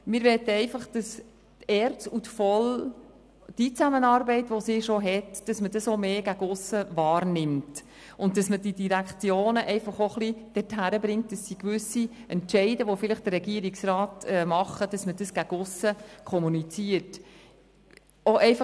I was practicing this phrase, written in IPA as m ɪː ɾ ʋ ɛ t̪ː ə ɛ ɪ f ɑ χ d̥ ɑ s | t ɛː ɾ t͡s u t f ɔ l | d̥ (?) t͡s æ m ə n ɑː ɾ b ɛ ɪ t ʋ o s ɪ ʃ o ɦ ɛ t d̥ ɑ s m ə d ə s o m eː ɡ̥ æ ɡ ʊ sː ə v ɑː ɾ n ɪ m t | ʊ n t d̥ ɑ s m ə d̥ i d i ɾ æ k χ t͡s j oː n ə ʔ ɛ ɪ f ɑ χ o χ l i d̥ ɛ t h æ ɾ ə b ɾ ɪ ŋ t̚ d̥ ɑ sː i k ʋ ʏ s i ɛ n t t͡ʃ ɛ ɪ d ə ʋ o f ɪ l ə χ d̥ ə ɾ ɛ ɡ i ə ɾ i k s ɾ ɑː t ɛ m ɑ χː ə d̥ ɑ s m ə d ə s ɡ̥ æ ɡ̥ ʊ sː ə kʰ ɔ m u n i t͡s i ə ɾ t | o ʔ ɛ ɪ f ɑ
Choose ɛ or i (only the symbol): i